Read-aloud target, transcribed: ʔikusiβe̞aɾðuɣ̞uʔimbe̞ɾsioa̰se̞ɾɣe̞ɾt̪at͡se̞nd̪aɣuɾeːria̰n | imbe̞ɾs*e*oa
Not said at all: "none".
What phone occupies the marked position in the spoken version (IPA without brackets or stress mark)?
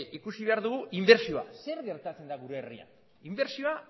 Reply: i